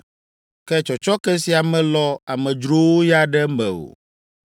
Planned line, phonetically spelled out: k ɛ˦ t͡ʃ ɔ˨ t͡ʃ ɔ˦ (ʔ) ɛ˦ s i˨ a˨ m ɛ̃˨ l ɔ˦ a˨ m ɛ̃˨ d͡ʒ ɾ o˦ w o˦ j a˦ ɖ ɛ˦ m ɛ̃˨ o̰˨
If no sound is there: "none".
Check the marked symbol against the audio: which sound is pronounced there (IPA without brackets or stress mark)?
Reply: k